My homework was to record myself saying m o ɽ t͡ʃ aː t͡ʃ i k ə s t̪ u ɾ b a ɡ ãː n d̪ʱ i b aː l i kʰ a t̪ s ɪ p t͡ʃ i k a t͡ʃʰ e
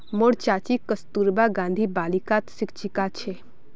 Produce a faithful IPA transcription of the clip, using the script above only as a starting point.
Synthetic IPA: m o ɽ t͡ʃ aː t͡ʃ i k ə s t̪ u ɾ b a ɡ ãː n d̪ʱ i b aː l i k a t̪ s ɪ k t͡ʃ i k a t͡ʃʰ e